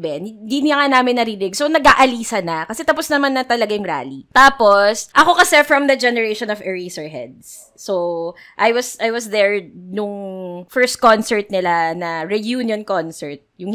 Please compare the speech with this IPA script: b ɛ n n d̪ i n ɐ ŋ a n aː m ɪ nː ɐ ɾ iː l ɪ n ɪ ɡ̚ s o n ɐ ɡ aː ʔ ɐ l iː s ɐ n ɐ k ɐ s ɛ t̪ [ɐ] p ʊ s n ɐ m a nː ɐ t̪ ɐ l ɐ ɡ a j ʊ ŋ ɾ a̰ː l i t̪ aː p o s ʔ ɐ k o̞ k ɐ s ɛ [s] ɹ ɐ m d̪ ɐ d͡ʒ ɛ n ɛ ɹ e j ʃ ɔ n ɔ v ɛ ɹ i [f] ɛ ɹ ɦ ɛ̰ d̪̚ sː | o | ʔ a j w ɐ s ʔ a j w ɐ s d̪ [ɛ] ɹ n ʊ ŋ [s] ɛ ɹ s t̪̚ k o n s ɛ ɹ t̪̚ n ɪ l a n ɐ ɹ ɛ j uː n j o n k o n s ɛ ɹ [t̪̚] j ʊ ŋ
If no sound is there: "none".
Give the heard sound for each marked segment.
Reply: ɐ, f, s, ɛ, f, t̪̚

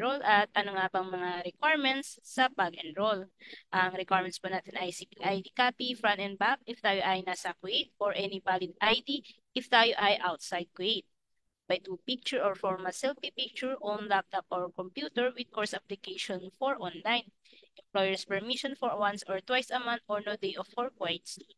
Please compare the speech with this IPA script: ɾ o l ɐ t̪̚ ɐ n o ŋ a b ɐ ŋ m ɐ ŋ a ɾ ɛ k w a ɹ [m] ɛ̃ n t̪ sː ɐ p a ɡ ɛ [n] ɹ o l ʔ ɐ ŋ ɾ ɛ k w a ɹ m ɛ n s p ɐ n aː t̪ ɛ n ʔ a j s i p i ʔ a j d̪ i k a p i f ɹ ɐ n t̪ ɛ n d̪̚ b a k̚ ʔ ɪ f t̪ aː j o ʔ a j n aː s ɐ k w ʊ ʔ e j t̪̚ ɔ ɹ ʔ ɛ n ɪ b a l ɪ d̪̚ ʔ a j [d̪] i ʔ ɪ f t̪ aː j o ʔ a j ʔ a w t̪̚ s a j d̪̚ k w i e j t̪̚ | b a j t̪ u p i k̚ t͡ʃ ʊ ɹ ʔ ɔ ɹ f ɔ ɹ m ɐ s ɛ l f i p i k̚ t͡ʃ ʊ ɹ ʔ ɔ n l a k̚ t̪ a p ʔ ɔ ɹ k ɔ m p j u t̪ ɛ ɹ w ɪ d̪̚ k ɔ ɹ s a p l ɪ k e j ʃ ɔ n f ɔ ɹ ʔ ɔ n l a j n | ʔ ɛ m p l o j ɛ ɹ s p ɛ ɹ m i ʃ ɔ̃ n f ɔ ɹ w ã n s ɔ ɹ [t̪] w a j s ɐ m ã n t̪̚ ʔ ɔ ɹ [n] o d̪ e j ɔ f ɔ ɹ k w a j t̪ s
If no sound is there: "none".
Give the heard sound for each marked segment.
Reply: m, n, d̪, t̪, n

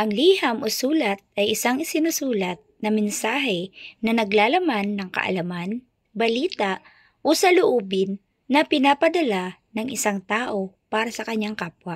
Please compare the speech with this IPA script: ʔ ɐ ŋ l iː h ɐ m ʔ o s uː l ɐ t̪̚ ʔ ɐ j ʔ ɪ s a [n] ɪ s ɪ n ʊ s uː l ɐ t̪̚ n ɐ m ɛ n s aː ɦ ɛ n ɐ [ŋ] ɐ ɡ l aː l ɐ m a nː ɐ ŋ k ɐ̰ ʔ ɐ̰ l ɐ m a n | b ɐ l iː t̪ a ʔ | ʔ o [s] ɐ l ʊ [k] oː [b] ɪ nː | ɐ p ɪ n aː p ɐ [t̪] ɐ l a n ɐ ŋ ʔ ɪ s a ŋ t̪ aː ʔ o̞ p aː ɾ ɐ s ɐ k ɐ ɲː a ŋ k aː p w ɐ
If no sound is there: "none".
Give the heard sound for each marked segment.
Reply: ŋ, n, s, ʔ, b, d̪

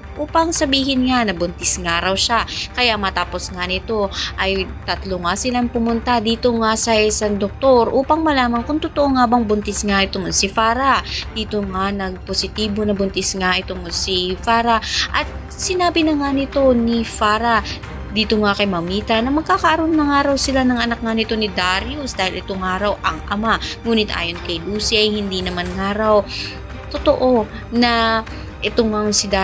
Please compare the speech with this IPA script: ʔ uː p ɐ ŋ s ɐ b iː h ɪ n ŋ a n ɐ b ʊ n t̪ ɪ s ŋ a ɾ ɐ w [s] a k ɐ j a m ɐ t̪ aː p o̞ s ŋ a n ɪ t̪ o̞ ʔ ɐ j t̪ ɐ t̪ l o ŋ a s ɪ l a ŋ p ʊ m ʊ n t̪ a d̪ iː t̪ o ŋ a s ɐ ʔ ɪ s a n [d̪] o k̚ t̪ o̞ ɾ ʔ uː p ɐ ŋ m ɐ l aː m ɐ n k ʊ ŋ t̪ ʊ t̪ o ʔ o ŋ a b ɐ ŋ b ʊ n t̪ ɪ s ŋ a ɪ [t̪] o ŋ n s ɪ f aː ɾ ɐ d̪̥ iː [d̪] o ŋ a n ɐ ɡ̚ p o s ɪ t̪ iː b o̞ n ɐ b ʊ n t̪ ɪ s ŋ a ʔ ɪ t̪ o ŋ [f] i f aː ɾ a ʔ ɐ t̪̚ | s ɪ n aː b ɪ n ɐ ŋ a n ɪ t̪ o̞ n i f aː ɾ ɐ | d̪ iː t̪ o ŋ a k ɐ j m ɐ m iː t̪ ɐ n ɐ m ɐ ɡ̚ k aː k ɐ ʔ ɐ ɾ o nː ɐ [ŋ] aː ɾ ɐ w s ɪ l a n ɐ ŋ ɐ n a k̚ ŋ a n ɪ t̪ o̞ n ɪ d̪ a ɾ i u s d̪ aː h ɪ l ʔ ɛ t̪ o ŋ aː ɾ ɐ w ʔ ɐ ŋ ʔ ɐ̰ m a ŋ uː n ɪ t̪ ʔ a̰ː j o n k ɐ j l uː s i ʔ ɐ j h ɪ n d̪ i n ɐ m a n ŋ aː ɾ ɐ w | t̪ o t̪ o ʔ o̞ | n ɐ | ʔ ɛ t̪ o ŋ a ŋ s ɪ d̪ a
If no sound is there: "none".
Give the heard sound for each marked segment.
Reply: ʃ, d̪, t̪, t̪, s, ŋ

